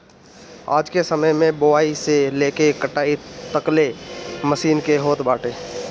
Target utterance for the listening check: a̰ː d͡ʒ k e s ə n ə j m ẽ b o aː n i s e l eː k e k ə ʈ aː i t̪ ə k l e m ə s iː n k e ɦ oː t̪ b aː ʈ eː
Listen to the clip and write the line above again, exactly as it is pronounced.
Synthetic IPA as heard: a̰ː d͡ʒ k e s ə m ə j m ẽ b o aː i s e l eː k e k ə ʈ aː i t̪ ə k l e m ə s iː n k e ɦ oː t̪ b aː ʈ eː